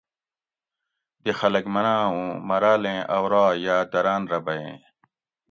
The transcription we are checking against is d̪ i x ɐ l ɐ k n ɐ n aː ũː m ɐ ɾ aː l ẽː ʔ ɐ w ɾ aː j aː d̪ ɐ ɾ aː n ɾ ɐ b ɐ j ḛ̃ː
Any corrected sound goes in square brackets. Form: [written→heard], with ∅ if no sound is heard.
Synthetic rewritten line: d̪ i x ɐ l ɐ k [n→m] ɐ n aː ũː m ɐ ɾ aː l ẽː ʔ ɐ w ɾ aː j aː d̪ ɐ ɾ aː n ɾ ɐ b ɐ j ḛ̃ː